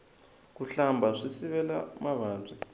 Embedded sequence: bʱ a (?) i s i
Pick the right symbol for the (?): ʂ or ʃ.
ʂ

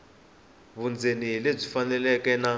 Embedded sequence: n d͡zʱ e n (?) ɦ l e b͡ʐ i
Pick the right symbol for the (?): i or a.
i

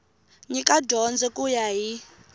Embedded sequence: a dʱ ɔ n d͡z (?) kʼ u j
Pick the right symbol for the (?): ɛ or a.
ɛ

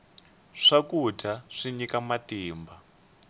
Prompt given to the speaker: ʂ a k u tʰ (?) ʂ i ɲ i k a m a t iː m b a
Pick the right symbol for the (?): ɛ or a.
a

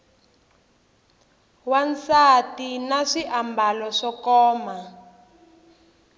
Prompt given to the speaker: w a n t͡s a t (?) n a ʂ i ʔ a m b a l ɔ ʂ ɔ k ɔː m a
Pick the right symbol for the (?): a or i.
i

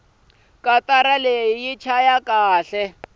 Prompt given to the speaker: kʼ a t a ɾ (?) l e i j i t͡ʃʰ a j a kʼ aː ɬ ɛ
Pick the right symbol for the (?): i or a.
a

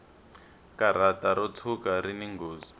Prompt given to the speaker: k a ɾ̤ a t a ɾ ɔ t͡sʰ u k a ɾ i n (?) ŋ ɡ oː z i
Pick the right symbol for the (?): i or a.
i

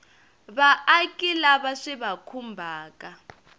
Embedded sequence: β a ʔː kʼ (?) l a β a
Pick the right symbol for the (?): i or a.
i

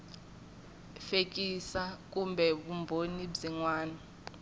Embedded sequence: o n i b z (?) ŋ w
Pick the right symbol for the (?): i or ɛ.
i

